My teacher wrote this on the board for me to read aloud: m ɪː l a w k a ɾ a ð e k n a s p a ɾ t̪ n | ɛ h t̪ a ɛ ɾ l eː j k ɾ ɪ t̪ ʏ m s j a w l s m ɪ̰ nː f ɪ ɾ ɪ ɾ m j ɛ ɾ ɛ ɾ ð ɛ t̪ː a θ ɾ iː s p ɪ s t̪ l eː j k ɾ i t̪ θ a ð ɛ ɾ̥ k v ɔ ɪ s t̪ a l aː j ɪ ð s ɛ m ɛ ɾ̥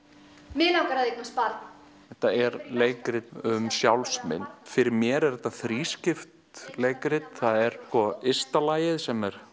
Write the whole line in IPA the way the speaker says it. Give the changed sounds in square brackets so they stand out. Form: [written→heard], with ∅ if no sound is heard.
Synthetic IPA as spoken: m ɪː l a w k a ɾ a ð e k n a s p a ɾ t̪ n | ɛ h t̪ a ɛ ɾ l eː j k ɾ ɪ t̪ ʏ m s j a w l s m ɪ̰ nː f ɪ ɾ ɪ ɾ m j ɛ ɾ ɛ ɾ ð ɛ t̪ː a θ ɾ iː s [p→c] ɪ [s→f] t̪ l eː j k ɾ [i→ɪ] t̪ θ a ð ɛ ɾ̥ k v ɔ ɪ s t̪ a l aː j ɪ ð s ɛ m ɛ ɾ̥